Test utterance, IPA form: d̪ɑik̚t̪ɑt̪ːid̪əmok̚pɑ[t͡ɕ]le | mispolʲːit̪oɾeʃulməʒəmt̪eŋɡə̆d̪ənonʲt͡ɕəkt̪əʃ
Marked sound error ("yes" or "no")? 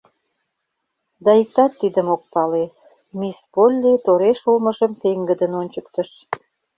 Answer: yes